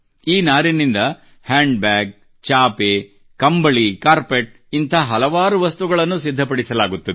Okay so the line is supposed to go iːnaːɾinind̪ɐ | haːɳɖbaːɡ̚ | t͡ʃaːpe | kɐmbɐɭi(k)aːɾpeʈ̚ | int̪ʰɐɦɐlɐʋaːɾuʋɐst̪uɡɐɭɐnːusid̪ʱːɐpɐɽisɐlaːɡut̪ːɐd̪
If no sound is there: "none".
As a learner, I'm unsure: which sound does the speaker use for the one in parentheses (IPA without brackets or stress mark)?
k